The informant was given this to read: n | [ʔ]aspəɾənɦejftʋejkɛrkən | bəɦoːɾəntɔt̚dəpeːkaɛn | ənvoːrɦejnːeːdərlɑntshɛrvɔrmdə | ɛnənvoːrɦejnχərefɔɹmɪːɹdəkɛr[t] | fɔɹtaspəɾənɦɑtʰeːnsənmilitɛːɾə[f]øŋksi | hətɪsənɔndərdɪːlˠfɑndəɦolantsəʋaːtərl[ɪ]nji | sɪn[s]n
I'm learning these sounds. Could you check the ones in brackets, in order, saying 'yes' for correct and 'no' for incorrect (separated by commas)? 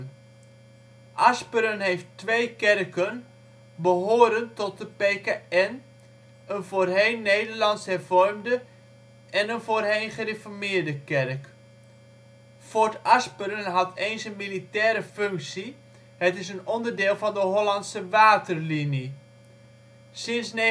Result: yes, no, yes, no, yes